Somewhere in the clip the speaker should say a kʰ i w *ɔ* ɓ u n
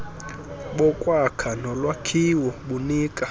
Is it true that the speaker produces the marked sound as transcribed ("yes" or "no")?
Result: yes